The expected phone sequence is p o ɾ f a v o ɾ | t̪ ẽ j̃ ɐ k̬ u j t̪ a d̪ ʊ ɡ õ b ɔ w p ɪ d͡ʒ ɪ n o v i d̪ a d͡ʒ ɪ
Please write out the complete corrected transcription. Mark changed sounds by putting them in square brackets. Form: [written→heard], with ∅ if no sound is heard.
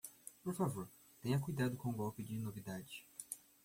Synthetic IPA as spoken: p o ɾ f a v o ɾ | t̪ ẽ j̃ ɐ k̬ u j [t̪→d̪] a d̪ ʊ [ɡ→k] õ [b→ɡ] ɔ w p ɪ d͡ʒ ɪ n o v i d̪ a d͡ʒ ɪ